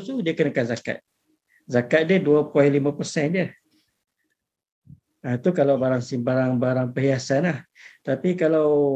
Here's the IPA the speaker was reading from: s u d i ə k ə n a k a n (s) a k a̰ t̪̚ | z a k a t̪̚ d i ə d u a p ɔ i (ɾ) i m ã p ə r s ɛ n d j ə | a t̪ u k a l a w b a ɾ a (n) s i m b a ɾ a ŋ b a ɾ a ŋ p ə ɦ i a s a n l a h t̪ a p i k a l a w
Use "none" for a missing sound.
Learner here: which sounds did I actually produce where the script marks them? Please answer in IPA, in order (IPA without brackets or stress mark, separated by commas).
z, l, ŋ